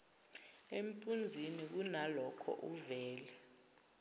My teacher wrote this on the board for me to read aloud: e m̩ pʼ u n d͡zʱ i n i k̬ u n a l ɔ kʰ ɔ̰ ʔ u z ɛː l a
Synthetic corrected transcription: e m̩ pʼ u n d͡zʱ i n i k̬ u n a l ɔ kʰ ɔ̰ ʔ u v ɛː l ɛ